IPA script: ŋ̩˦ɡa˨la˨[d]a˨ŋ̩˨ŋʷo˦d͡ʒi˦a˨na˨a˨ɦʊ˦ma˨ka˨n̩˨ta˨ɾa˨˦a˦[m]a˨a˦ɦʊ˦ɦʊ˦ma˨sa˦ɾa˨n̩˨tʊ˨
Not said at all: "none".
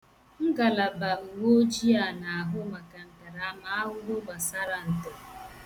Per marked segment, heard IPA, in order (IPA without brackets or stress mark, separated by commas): b, m